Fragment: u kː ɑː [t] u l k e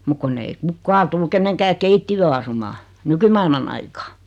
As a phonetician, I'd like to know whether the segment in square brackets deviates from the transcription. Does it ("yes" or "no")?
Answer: no